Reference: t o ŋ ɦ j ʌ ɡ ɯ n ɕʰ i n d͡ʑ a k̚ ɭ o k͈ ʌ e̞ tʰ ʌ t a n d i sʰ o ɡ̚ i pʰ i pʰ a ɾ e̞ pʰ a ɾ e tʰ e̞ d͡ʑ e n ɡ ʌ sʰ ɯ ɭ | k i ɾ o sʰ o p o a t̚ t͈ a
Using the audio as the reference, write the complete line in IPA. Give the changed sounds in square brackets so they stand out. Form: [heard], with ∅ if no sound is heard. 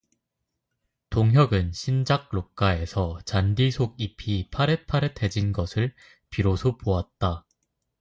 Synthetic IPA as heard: t o ŋ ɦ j ʌ ɡ ɯ n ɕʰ i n d͡ʑ a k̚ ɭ o k͈ [a] e̞ [sʰ] ʌ [t͡ɕ] a n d i sʰ o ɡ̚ i pʰ i pʰ a ɾ e̞ pʰ a ɾ e tʰ e̞ d͡ʑ [i] n ɡ ʌ sʰ ɯ ɭ | [p] i ɾ o sʰ o p o a t̚ t͈ a